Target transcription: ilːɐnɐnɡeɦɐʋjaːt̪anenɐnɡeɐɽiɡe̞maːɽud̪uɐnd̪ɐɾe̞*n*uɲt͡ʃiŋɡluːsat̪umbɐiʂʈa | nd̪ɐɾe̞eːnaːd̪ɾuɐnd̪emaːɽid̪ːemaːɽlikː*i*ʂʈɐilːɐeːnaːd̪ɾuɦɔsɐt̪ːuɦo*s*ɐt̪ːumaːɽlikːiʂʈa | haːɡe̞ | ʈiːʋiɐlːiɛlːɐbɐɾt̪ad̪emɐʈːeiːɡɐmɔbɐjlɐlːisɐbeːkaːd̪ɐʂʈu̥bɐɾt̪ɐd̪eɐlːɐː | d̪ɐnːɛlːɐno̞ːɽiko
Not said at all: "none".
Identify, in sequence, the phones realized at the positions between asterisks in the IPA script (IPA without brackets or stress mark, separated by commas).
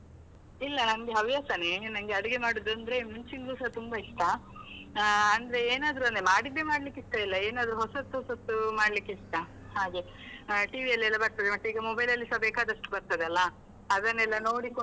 m, i, s